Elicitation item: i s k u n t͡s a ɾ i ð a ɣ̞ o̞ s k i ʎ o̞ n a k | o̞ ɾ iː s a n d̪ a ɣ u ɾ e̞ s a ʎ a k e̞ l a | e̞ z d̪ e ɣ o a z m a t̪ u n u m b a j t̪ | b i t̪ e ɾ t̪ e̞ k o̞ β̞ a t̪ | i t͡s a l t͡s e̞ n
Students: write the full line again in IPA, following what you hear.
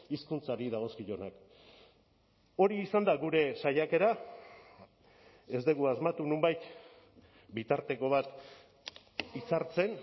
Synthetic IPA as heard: i s k u n t͡s a ɾ i ð a ɣ̞ o̞ s k i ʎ o̞ n a k | o̞ ɾ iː s a n d̪ a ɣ u ɾ e̞ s a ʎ a k e̞ ɾ a | e̞ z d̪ e ɣ u a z m a t̪ u n u m b a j t̪ | b i t̪ a ɾ t̪ e̞ k o̞ β̞ a t̪ | i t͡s a ɾ t͡s e̞ n